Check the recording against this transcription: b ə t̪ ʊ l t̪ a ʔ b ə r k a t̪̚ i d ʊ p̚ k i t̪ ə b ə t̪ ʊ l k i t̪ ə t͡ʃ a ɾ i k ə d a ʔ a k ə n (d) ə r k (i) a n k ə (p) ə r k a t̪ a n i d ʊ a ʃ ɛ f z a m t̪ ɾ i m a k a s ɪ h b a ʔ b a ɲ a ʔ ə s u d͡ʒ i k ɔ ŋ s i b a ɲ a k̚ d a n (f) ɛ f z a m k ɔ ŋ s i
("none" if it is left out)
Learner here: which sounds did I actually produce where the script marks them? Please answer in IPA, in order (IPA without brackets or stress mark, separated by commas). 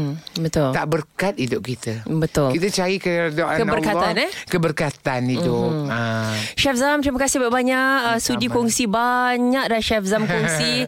b, a, b, ʃ